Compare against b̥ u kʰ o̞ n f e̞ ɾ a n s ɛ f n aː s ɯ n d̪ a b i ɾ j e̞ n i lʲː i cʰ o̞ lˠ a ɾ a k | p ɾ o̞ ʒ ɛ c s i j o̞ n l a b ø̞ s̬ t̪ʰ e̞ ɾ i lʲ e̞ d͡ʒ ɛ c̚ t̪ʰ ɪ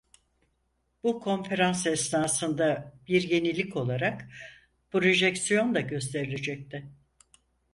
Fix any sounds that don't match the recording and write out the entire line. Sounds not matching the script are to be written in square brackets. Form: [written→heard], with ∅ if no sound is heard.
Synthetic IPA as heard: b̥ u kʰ o̞ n f e̞ ɾ a n s ɛ [f→s] n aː s ɯ n d̪ a b i ɾ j e̞ n i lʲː i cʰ o̞ lˠ a ɾ a k | p ɾ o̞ ʒ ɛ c s i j o̞ n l a [b→ɟ] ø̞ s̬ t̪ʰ e̞ ɾ i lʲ e̞ d͡ʒ ɛ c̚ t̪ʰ ɪ